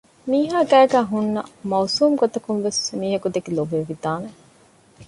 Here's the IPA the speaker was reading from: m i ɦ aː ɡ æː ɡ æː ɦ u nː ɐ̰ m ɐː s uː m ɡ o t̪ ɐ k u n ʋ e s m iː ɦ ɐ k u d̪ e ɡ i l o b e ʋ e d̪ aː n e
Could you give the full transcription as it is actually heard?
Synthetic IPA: m iː ɦ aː ɡ æː ɡ æː ɦ u nː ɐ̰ m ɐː s uː m ɡ o t̪ ɐ k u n ʋ e s m iː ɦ ɐ k u d̪ e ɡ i l o b e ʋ i d̪ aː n e